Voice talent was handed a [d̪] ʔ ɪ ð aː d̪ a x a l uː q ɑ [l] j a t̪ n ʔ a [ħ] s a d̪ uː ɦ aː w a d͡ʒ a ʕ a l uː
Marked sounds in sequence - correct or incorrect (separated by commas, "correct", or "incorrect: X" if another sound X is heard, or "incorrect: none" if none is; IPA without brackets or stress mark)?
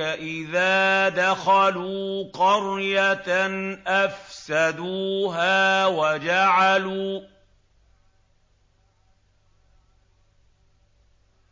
incorrect: none, incorrect: ɾ, incorrect: f